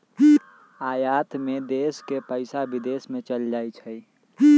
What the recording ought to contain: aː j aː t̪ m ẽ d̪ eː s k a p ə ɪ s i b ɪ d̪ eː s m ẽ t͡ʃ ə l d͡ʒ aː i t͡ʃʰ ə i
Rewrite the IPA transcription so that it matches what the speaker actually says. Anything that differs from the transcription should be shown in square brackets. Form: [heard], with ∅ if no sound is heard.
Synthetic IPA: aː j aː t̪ m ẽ d̪ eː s k [e] p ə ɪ s [a] b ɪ d̪ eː s m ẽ t͡ʃ ə l d͡ʒ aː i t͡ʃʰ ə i